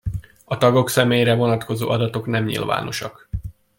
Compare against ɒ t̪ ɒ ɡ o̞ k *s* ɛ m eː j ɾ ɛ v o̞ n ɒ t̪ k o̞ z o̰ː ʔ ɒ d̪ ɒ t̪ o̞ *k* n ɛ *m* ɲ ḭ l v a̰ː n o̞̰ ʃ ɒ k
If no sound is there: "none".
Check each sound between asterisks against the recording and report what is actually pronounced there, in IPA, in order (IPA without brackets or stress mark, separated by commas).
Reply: s, k, m